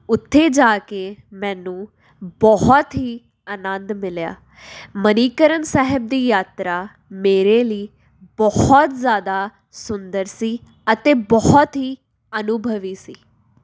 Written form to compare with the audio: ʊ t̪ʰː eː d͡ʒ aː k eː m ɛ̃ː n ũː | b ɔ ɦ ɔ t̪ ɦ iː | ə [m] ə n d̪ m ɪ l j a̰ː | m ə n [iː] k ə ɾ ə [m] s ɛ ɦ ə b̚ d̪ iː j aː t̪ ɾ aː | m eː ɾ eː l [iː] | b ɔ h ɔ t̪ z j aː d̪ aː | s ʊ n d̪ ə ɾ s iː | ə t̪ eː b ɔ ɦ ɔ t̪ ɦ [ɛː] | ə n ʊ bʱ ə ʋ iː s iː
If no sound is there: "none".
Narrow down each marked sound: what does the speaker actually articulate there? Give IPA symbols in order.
n, iː, n, iː, iː

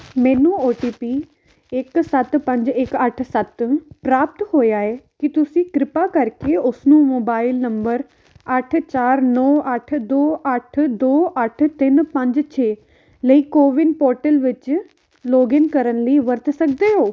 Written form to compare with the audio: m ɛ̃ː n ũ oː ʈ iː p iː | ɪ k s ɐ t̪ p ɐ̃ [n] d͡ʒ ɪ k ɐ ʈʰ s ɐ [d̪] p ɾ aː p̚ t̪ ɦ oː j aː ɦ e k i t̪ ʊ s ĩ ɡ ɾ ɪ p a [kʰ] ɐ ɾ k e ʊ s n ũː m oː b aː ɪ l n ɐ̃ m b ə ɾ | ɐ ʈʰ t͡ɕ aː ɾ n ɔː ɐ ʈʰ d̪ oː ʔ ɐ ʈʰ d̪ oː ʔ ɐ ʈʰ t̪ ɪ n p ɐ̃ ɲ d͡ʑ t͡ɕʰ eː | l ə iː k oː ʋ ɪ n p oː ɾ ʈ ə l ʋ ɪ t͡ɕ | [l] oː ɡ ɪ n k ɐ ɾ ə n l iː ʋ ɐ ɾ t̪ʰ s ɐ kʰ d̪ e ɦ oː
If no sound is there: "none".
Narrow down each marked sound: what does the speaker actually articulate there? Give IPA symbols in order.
ɲ, t̪, k, l

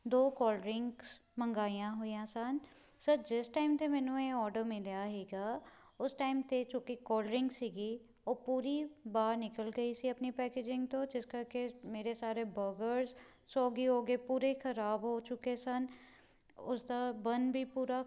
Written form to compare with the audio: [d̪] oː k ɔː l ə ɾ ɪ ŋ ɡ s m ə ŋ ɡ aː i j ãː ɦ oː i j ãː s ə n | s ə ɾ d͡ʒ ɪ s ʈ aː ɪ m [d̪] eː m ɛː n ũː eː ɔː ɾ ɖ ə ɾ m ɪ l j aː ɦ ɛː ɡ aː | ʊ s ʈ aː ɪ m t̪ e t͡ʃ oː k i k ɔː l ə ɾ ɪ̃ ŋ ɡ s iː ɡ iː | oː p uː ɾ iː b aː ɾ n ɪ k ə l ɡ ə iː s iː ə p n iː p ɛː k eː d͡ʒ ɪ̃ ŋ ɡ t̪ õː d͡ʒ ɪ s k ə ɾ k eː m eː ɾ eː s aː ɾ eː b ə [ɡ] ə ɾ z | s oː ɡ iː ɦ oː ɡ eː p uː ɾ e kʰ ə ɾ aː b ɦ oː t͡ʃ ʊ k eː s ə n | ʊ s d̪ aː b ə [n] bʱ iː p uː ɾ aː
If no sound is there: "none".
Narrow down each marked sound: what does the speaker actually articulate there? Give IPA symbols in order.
d̪, t̪, ɡ, n

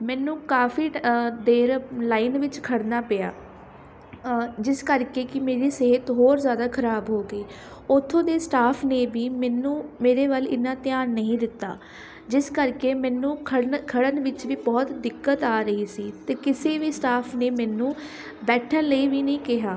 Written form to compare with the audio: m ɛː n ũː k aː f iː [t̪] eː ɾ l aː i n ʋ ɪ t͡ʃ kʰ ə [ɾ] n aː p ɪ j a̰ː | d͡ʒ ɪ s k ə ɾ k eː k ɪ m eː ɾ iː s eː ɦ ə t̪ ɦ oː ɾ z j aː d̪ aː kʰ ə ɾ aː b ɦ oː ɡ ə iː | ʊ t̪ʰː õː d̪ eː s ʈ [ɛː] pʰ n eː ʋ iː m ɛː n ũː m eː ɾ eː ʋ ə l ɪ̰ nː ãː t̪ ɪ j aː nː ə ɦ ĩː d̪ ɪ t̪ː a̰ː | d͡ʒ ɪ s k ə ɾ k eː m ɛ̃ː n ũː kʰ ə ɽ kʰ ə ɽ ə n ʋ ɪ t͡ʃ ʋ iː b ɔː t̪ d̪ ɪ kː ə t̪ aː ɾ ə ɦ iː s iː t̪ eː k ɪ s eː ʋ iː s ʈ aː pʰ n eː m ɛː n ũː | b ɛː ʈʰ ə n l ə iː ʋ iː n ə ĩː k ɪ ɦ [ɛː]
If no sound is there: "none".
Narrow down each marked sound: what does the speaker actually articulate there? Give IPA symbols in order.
d̪, ɽ, aː, aː

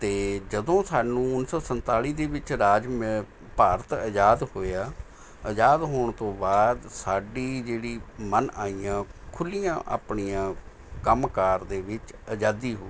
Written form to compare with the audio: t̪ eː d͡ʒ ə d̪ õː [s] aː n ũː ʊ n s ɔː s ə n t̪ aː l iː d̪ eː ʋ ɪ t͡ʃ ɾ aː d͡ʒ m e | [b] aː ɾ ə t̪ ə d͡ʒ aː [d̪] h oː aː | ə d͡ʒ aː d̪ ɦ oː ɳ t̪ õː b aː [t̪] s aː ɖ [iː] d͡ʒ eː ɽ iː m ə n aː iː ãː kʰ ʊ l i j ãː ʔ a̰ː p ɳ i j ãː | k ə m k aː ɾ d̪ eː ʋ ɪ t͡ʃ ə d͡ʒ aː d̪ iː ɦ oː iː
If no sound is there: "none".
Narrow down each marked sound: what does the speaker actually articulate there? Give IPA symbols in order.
s, p, d̪, d̪, iː

